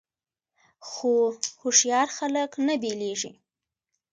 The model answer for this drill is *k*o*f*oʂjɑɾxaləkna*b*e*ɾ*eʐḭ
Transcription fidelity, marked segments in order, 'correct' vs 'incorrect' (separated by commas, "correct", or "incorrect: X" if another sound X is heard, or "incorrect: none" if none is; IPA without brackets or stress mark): incorrect: x, incorrect: h, correct, incorrect: l